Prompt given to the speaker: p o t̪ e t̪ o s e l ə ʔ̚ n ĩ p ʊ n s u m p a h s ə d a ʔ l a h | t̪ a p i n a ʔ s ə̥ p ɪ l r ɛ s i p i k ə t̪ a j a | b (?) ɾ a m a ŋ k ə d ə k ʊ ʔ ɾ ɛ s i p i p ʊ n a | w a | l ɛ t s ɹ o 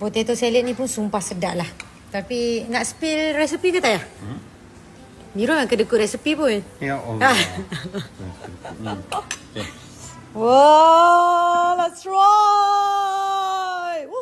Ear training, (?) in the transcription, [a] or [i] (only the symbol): i